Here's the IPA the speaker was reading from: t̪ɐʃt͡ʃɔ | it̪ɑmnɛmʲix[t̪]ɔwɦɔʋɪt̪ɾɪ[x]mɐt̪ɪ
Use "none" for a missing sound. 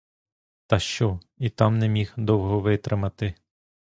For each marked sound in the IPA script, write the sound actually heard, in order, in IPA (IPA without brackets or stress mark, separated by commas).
d̪, none